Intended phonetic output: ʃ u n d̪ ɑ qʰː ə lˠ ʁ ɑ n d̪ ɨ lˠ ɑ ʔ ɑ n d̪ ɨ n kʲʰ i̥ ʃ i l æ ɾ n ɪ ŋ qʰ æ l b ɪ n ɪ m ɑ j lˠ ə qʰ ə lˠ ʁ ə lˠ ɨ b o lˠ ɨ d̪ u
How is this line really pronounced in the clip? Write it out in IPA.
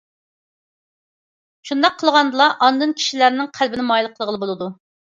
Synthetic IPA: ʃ u n d̪ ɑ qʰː ə lˠ ʁ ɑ n d̪ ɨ lˠ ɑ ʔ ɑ n d̪ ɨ n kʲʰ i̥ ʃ i l æ ɾ n ɪ ŋ qʰ æ l b ɪ n ɪ m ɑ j lˠ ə qʰ ə lˠ ʁ ə lˠ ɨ b o lˠ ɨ d̪ u